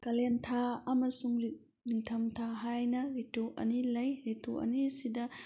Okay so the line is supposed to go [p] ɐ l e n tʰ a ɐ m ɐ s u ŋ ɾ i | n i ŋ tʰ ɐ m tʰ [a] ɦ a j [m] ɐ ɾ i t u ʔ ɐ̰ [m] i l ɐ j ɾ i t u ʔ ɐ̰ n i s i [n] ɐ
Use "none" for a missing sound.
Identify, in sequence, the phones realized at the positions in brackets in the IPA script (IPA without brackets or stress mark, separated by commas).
k, a, n, n, d